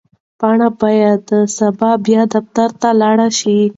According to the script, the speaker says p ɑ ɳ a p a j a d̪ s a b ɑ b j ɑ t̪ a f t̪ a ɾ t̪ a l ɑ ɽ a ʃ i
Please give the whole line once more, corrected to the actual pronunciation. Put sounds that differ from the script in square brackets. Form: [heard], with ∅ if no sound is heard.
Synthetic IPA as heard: p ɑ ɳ a [b] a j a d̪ s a b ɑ b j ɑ [d̪] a f t̪ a ɾ t̪ a l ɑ ɽ a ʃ i